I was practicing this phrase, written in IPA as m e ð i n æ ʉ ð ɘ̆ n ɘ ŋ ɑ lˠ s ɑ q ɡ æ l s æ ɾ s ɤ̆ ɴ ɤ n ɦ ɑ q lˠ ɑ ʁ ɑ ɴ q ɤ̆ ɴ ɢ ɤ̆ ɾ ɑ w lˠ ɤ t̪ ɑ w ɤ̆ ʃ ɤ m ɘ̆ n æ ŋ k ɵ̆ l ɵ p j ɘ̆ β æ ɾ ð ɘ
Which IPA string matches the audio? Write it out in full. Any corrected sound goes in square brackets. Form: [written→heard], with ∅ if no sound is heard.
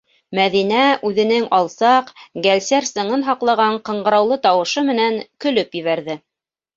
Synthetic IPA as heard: m [e→æ] ð i n æ ʉ ð ɘ̆ n ɘ ŋ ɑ lˠ s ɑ q ɡ æ l s æ ɾ s ɤ̆ ɴ ɤ n ɦ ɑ q lˠ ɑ ʁ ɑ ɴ q ɤ̆ ɴ ɢ ɤ̆ ɾ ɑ w lˠ ɤ t̪ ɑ w ɤ̆ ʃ ɤ m ɘ̆ n æ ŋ k ɵ̆ l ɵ p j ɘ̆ β æ ɾ ð ɘ